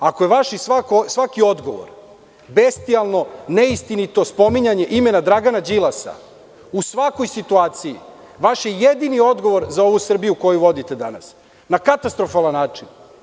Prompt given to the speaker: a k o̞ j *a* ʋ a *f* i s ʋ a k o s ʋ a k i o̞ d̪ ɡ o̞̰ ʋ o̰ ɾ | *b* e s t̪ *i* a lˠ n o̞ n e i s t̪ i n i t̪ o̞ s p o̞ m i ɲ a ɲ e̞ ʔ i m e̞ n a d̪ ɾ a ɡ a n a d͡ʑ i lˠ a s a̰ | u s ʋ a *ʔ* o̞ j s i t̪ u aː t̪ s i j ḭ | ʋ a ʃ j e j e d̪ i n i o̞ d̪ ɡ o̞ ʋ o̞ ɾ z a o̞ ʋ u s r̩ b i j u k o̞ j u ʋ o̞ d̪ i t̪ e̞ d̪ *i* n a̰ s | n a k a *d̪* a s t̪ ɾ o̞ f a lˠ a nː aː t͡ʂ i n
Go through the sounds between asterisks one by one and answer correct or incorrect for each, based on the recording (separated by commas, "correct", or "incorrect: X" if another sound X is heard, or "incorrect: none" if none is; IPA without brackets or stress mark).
incorrect: e, incorrect: ʃ, correct, correct, incorrect: k, incorrect: a, incorrect: t̪